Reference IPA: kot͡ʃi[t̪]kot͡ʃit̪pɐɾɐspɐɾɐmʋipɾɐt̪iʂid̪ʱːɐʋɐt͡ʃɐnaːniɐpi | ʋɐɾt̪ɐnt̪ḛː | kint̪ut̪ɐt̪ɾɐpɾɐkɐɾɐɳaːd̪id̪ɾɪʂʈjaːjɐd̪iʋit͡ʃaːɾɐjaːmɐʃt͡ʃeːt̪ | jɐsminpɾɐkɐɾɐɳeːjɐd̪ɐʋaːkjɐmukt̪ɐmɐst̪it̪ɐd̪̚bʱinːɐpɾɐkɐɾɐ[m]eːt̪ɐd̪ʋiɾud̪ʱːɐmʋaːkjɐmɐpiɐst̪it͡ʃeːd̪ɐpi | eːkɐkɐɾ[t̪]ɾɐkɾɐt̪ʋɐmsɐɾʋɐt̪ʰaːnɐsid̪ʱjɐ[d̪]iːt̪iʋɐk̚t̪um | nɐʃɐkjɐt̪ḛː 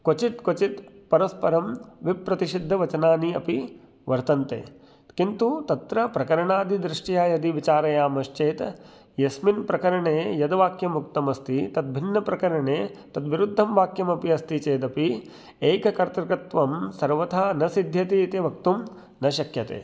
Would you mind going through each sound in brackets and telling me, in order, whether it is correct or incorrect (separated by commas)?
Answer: correct, incorrect, correct, incorrect